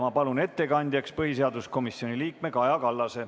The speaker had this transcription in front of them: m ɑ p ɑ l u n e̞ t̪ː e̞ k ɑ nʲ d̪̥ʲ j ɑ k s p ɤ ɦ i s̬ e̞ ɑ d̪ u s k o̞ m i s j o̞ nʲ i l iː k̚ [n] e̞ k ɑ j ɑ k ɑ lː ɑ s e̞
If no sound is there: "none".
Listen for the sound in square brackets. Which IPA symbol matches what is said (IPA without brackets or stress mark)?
m